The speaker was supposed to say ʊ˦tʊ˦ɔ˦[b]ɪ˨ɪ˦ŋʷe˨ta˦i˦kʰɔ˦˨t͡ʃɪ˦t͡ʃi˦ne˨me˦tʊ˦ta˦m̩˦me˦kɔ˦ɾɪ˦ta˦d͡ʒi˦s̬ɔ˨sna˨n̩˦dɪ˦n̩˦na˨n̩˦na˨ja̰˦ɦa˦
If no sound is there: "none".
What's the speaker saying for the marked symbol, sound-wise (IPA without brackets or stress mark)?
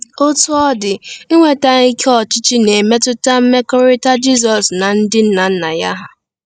d